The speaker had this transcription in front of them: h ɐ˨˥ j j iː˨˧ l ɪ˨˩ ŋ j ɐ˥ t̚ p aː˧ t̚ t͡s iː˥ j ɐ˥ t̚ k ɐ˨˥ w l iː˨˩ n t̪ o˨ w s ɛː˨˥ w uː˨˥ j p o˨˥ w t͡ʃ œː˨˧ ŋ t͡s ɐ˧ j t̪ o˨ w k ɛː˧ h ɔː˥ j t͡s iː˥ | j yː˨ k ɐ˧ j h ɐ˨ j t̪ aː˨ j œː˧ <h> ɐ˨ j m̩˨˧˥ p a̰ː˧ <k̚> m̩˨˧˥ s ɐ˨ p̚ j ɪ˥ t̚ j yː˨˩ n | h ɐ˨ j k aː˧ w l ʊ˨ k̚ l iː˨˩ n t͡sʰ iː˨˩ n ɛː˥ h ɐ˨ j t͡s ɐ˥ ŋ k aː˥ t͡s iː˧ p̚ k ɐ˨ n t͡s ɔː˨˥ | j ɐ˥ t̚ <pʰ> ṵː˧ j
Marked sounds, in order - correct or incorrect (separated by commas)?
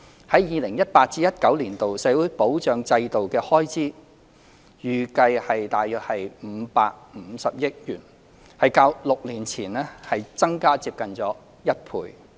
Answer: correct, correct, correct